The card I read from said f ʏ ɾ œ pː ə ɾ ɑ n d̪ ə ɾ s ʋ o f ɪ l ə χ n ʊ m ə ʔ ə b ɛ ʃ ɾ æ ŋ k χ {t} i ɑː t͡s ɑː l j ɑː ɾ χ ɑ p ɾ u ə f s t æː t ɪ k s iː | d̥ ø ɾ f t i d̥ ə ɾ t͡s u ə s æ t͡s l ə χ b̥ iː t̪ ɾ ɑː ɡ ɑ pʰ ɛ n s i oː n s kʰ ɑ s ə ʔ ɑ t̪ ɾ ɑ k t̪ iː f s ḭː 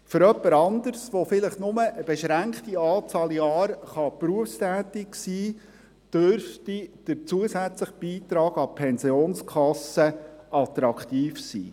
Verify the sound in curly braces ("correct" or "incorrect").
correct